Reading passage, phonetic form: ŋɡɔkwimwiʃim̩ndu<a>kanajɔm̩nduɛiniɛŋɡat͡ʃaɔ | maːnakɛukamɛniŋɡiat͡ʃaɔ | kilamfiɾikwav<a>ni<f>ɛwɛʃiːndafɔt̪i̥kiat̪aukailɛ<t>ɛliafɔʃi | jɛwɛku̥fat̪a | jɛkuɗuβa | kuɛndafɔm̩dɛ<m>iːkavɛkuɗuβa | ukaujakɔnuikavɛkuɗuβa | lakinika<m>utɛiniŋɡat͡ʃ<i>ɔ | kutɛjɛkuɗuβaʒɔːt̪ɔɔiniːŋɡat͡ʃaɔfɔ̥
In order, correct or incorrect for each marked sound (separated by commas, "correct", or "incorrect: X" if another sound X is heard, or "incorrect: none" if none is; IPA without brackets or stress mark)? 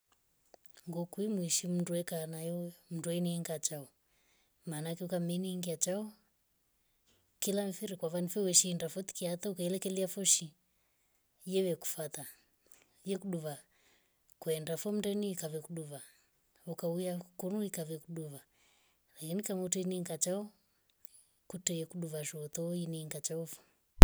incorrect: ɛ, correct, correct, incorrect: k, incorrect: n, correct, incorrect: a